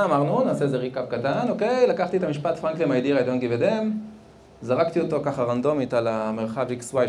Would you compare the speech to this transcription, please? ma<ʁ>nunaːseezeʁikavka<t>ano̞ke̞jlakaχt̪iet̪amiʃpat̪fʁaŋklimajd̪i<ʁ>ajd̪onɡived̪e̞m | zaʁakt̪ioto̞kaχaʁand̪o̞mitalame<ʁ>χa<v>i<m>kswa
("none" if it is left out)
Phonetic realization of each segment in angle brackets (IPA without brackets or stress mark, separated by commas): ʁ, t, ʁ, ʁ, v, none